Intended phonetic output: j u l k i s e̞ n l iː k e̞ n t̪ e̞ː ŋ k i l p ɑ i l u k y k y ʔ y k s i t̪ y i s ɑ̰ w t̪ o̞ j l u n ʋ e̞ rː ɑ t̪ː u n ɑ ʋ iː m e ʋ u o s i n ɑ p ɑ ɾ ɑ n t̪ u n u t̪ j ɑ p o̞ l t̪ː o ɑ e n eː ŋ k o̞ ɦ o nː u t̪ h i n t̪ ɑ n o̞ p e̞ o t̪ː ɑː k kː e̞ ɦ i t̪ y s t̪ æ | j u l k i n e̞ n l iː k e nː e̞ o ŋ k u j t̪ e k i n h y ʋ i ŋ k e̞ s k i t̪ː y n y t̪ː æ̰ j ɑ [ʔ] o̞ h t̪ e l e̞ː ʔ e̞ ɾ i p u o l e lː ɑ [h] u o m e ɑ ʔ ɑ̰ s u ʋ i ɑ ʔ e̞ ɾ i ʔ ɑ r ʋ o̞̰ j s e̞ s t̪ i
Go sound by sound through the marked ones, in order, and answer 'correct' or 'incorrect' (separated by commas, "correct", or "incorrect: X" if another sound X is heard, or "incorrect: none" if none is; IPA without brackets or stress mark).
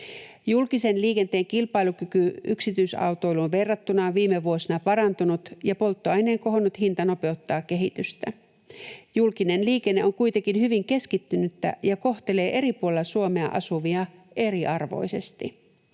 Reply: incorrect: k, incorrect: s